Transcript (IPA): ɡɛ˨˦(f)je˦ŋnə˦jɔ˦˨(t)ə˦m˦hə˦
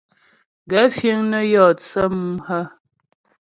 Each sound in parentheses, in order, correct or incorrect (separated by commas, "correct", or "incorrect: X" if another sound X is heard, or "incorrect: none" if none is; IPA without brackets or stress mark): correct, incorrect: t͡s